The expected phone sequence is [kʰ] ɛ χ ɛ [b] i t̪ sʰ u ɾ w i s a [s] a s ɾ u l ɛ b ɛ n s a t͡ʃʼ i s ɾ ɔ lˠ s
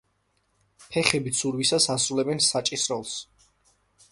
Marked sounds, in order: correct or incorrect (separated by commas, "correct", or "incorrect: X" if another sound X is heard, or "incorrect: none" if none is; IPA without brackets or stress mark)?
incorrect: pʰ, correct, correct